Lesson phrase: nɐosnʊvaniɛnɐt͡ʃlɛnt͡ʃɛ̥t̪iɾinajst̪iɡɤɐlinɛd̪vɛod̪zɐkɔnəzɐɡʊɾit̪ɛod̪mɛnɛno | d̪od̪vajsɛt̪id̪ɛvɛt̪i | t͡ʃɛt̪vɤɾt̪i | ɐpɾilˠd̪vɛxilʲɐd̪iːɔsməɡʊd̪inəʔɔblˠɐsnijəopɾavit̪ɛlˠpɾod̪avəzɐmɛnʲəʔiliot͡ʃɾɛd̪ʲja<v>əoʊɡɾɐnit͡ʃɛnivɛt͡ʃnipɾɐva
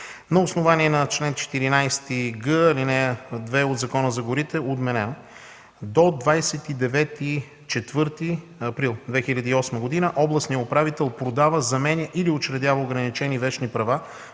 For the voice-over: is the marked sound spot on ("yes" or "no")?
yes